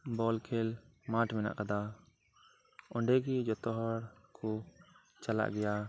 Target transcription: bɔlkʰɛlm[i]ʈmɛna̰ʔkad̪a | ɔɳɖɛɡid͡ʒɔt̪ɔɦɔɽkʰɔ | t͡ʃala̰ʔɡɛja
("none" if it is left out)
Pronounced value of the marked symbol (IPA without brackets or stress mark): a